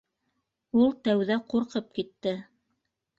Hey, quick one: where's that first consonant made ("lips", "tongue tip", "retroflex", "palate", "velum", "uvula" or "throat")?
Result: tongue tip